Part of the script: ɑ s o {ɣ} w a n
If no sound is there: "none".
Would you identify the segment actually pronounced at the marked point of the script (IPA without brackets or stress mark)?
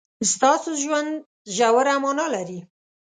ʒ